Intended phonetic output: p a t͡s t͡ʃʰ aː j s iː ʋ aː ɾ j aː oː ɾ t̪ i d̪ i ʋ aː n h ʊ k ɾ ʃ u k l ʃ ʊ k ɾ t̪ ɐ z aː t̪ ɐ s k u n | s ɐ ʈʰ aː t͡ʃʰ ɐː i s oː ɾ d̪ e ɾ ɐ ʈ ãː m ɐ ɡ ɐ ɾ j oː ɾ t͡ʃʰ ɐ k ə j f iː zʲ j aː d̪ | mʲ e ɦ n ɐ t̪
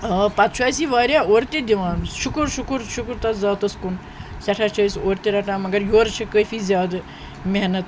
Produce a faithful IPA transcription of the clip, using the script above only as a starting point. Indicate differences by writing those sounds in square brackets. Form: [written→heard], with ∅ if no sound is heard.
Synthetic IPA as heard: p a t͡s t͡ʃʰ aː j s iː ʋ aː ɾ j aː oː ɾ t̪ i d̪ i ʋ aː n [h→ʃ] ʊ k ɾ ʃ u k [l→ɾ] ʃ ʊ k ɾ t̪ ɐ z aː t̪ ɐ s k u n | s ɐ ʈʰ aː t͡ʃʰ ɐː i s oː ɾ [d̪→t̪] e ɾ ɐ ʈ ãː m ɐ ɡ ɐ ɾ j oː ɾ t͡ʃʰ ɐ k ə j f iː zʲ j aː d̪ | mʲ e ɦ n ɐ t̪